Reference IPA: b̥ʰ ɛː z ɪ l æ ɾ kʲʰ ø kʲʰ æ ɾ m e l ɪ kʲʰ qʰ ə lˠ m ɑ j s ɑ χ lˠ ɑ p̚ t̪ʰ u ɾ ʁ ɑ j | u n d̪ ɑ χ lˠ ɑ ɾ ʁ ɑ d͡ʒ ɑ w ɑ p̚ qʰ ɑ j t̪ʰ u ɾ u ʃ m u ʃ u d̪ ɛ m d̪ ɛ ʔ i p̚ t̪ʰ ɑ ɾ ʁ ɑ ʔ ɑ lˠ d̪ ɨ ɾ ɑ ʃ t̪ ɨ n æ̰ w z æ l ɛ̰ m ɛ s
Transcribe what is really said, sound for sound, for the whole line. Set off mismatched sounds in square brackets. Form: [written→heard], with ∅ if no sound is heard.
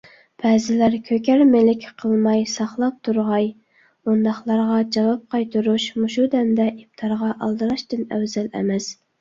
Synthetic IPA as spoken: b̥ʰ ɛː z ɪ l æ ɾ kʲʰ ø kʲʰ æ ɾ m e l ɪ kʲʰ qʰ ə lˠ m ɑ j s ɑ χ lˠ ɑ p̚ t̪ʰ u ɾ ʁ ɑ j | u n d̪ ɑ χ lˠ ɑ ɾ ʁ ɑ d͡ʒ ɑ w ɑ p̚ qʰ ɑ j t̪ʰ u ɾ u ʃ m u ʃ u d̪ ɛ m d̪ ɛ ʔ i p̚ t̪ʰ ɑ ɾ ʁ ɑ ʔ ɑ lˠ d̪ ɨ ɾ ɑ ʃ t̪ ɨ n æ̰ w z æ l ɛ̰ m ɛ s